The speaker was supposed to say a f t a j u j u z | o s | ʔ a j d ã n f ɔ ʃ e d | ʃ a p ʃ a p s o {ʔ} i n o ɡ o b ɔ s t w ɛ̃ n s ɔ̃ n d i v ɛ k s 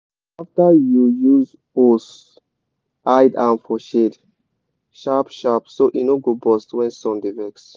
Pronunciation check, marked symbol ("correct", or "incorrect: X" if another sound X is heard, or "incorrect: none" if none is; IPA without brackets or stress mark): correct